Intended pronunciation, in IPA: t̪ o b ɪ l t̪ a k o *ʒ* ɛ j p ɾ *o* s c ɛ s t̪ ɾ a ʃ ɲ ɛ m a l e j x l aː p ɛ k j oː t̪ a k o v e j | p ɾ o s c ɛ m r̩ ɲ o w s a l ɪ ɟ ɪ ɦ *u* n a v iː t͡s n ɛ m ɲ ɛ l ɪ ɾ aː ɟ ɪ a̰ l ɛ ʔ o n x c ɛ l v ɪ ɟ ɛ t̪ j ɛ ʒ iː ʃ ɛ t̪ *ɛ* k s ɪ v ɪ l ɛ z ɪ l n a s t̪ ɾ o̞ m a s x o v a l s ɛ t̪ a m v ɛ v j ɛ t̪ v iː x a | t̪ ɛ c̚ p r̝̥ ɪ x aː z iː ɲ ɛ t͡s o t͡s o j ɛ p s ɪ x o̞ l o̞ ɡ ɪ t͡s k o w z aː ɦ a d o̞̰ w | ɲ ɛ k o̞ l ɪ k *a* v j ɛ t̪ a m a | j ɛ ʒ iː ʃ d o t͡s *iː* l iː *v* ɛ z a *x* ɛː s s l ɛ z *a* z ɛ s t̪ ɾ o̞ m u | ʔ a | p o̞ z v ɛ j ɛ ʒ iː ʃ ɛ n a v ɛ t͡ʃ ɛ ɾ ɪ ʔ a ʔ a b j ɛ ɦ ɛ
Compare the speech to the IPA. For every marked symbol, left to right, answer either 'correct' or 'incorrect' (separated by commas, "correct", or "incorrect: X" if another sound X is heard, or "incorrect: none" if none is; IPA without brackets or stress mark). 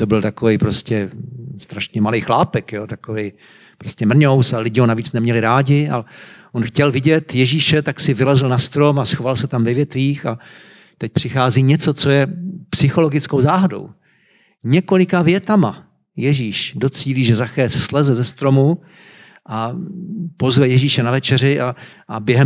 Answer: incorrect: v, correct, incorrect: o, incorrect: a, correct, correct, incorrect: ʒ, correct, incorrect: ɛ